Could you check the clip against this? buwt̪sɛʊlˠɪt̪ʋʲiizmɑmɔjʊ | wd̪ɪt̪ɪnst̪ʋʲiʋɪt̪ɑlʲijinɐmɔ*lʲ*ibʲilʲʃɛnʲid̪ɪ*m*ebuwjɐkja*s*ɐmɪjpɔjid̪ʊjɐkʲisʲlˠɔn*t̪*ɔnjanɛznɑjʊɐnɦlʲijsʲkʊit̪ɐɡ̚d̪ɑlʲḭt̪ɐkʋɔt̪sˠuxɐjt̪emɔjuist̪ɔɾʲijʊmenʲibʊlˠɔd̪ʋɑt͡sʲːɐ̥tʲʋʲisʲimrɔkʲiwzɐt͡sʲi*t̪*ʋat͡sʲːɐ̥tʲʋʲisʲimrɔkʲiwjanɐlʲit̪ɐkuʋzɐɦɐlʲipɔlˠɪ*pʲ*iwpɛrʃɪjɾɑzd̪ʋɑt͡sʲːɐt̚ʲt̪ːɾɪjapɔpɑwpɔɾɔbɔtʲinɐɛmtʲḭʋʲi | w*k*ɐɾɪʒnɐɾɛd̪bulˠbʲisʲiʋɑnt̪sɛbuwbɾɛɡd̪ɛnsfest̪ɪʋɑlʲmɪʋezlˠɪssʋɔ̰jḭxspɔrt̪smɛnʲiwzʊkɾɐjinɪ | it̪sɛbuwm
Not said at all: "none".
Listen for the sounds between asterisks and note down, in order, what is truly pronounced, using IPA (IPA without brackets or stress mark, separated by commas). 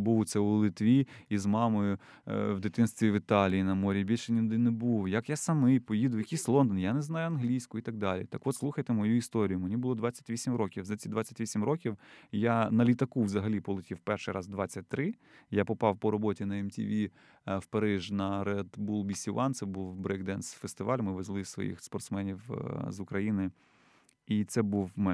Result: ɾʲ, n, s, d̪, d̪, tʲ, p